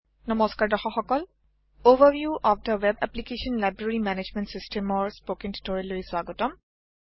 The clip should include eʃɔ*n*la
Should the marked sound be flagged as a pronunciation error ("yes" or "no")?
no